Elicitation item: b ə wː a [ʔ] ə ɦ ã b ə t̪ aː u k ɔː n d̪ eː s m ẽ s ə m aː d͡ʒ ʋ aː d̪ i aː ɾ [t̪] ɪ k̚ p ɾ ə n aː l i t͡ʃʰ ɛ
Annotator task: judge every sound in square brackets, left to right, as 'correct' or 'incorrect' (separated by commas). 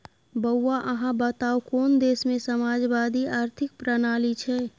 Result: correct, incorrect